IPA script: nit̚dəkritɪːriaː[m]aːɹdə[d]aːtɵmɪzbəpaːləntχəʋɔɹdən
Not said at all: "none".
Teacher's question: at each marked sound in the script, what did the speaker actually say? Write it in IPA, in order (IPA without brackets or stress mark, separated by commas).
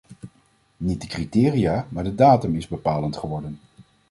m, d